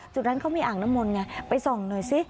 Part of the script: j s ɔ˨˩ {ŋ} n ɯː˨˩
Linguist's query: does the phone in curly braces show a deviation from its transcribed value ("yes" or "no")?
no